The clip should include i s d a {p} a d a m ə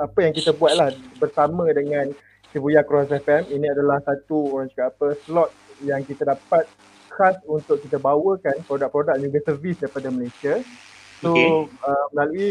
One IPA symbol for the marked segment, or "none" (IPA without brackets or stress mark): p